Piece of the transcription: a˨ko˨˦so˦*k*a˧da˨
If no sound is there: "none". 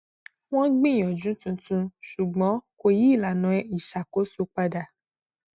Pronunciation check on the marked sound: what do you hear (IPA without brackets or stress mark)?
k͡p